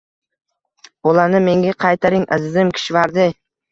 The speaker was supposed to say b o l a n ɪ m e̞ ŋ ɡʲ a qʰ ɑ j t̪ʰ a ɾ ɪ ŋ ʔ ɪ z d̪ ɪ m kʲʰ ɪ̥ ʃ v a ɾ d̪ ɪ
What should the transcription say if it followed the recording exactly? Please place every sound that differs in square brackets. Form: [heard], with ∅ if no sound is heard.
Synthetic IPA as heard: b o l a n ɪ m e̞ ŋ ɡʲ a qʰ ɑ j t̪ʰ a ɾ ɪ ŋ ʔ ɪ z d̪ ɪ m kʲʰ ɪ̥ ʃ v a ɾ d̪ ɪ